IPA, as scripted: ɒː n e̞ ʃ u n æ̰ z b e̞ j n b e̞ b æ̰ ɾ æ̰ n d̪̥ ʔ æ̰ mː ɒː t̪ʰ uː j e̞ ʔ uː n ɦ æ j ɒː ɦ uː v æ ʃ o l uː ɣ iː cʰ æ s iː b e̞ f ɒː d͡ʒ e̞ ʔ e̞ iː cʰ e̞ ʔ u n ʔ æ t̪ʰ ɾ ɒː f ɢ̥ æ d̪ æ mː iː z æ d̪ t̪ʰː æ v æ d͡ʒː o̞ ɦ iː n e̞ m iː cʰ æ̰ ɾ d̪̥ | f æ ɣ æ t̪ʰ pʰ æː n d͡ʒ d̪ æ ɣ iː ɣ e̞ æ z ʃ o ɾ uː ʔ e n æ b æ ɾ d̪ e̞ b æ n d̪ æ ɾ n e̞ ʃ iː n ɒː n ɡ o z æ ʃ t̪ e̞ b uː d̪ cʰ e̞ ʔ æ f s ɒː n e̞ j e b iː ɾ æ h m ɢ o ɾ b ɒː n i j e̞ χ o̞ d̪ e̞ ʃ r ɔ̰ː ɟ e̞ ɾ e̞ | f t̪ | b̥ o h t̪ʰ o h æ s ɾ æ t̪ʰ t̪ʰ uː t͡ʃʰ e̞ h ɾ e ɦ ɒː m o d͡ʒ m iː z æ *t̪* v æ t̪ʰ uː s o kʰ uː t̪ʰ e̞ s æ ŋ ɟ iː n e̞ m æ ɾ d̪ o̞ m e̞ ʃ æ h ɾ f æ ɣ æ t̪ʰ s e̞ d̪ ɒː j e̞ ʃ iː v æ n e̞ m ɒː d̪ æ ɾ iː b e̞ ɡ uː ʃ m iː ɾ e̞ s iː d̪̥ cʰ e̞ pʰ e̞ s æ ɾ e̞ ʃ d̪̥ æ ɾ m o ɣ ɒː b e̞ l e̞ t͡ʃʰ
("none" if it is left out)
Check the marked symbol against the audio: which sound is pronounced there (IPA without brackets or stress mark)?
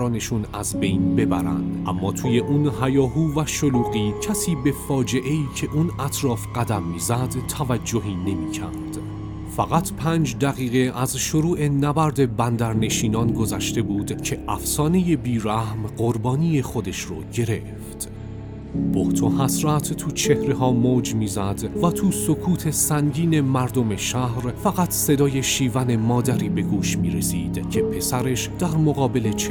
d̪